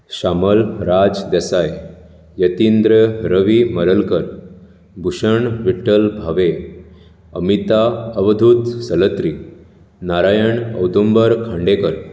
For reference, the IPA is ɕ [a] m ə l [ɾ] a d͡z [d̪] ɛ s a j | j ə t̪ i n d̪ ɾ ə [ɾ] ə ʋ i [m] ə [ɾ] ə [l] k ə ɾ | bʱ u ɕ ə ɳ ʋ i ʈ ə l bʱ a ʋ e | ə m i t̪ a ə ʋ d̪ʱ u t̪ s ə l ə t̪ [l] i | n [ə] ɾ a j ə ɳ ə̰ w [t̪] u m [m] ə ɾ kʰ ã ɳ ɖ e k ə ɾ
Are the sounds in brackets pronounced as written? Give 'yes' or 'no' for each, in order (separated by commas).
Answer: yes, yes, yes, yes, yes, yes, yes, no, no, no, no